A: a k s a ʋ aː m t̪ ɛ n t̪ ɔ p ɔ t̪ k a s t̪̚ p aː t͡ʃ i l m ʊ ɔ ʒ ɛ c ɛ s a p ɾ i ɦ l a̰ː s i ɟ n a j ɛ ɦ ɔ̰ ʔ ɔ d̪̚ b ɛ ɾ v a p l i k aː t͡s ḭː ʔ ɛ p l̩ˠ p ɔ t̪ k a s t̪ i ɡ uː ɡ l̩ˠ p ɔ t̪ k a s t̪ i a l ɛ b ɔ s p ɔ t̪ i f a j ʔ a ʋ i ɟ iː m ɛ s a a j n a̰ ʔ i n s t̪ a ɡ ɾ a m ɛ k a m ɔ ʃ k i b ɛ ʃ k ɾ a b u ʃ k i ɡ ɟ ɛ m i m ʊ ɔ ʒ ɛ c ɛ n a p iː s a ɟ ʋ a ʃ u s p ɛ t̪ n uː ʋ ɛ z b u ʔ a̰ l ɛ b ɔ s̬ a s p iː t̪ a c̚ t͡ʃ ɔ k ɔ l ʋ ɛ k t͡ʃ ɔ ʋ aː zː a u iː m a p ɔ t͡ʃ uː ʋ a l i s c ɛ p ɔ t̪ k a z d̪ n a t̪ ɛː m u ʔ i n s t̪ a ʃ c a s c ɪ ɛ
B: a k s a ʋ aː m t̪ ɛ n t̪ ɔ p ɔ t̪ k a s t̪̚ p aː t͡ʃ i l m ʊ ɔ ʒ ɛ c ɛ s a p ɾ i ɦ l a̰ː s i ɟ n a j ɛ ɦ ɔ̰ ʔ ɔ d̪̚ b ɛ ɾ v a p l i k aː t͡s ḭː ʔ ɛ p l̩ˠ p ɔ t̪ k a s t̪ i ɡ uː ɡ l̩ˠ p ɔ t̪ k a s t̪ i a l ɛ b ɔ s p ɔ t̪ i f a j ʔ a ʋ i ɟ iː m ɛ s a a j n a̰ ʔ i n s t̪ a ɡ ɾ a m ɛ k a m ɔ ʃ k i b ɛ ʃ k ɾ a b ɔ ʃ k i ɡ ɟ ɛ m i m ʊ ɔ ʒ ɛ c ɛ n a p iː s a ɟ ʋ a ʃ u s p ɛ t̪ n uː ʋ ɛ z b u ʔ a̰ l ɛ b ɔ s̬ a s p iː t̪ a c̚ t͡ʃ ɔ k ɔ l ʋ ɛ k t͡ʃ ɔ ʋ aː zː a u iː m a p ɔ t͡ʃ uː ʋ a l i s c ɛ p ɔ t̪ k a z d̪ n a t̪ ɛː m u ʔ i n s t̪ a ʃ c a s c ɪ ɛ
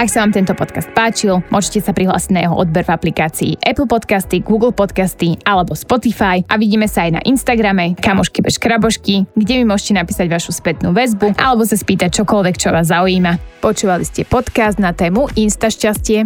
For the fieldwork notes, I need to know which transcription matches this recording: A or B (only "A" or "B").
B